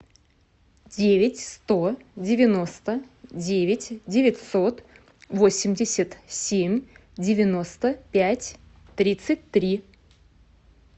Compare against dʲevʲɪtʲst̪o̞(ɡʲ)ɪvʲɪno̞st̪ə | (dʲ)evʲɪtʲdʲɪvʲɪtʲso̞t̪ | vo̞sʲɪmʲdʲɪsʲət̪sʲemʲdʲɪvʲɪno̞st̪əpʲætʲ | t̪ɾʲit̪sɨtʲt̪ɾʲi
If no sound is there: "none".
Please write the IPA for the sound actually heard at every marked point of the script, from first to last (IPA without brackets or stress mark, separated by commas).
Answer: dʲ, dʲ